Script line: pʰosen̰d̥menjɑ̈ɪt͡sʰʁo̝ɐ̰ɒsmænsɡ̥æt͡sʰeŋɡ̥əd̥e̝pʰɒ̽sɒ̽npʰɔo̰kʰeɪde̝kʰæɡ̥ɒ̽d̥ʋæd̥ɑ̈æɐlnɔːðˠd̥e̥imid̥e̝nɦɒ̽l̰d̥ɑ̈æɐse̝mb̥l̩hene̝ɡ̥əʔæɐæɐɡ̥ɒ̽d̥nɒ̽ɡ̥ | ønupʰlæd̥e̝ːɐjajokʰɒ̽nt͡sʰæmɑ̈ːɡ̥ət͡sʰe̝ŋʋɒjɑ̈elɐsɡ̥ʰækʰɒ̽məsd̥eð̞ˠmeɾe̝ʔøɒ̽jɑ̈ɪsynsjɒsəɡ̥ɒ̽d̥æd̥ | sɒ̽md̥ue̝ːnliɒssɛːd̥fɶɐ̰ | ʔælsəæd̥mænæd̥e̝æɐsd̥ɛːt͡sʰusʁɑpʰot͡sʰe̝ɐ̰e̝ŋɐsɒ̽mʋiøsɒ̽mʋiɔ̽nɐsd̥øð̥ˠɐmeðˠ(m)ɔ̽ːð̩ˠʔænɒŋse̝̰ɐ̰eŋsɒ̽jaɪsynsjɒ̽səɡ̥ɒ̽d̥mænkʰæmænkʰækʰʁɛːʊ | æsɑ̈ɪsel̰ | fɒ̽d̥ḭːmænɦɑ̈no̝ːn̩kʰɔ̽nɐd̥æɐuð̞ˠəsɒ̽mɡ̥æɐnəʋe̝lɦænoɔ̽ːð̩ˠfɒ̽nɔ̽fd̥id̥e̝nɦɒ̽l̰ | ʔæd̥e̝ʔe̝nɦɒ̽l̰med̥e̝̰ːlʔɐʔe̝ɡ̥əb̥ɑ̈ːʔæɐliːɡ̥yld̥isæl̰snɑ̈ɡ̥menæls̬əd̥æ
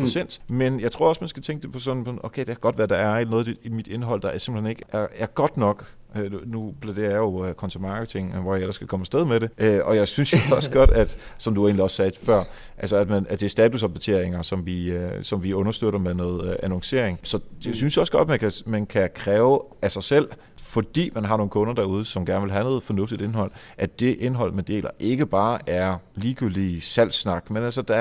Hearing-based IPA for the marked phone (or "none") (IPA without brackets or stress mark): n